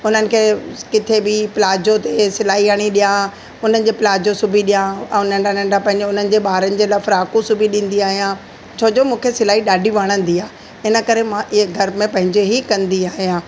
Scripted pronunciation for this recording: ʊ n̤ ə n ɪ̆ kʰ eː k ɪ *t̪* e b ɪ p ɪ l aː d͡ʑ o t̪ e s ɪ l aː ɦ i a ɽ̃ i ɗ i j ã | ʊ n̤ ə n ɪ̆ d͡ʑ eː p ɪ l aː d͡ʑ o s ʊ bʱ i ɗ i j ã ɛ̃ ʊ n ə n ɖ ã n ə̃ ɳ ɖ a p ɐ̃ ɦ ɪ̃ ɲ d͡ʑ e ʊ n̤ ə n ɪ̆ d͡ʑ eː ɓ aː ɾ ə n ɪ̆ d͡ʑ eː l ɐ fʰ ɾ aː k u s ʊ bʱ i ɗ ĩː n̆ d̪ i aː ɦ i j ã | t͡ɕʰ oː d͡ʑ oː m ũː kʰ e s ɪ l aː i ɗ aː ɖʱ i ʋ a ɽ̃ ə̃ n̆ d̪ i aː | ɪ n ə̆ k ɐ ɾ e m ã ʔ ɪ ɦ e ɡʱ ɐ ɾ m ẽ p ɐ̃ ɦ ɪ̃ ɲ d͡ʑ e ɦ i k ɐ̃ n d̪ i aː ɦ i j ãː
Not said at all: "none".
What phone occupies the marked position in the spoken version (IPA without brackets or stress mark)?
t̪ʰ